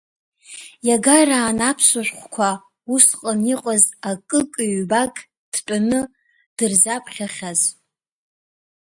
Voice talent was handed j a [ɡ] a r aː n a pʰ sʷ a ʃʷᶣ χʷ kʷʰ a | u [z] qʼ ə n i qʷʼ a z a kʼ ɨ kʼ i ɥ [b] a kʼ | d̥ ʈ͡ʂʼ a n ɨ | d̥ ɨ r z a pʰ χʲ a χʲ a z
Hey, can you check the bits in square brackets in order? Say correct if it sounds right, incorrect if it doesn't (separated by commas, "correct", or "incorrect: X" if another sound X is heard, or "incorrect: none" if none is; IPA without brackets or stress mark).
correct, incorrect: s, correct